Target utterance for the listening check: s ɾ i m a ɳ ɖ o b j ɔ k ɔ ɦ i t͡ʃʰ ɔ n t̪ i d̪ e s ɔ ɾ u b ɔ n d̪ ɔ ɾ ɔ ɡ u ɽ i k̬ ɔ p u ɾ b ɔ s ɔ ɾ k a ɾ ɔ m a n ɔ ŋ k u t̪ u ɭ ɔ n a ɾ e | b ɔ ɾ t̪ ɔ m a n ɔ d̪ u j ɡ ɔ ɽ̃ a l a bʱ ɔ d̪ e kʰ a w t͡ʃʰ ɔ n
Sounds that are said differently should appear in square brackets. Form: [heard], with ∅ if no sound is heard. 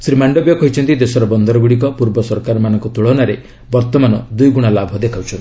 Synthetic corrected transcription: s ɾ i m a ɳ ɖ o b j ɔ k ɔ ɦ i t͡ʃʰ ɔ n t̪ i d̪ e s ɔ ɾ [ɔ] b ɔ n d̪ ɔ ɾ ɔ ɡ u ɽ i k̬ ɔ p u ɾ b ɔ s ɔ ɾ k a ɾ ɔ m a n ɔ ŋ k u t̪ u ɭ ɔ n a ɾ e | b ɔ ɾ t̪ ɔ m a n ɔ d̪ u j ɡ [u] ɽ̃ a l a bʱ ɔ d̪ e kʰ a w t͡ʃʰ ɔ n